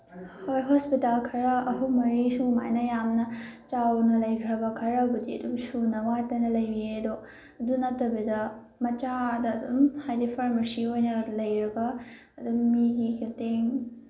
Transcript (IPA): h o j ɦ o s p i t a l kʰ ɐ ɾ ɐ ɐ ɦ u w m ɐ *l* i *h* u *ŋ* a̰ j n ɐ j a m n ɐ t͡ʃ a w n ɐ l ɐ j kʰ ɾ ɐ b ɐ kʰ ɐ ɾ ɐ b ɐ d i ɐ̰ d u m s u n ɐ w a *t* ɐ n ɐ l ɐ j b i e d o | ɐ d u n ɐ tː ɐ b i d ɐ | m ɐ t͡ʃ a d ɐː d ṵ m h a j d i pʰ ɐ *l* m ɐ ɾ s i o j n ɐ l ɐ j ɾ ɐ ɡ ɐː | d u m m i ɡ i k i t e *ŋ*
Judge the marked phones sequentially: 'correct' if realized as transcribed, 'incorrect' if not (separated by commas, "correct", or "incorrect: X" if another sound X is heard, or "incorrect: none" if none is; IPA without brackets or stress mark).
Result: incorrect: ɾ, incorrect: s, incorrect: m, correct, incorrect: ɾ, correct